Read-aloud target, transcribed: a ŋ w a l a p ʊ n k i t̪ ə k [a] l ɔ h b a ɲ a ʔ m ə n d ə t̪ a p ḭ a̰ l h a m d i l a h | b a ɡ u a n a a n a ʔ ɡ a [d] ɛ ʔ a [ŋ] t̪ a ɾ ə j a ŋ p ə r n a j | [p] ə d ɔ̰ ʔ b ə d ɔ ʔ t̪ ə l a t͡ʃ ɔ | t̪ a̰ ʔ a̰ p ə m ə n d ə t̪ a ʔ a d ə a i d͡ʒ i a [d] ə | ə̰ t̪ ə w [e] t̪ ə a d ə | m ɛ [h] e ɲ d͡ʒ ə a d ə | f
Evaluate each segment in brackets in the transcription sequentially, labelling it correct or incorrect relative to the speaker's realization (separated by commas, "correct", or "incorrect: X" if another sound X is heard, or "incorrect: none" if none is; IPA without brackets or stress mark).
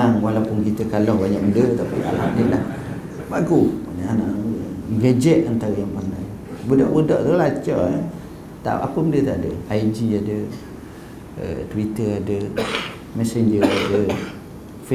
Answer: correct, incorrect: d͡ʒ, incorrect: n, incorrect: b, correct, incorrect: i, incorrect: s